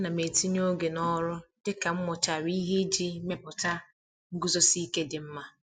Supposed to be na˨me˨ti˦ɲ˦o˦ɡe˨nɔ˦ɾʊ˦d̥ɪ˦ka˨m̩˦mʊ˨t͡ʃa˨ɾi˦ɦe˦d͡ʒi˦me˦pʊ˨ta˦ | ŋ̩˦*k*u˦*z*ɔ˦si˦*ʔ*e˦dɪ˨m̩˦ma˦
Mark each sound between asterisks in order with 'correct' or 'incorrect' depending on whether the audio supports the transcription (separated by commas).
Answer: incorrect, correct, incorrect